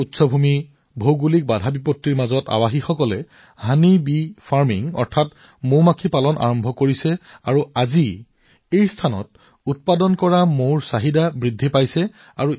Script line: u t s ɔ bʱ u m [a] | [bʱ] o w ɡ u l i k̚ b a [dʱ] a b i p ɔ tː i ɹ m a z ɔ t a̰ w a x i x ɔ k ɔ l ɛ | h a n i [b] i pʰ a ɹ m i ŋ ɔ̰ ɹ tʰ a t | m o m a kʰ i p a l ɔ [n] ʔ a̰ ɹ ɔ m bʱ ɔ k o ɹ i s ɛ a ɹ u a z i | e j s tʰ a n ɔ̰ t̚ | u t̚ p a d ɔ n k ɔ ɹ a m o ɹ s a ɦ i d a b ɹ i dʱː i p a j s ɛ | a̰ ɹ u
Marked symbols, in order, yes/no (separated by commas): no, yes, yes, yes, yes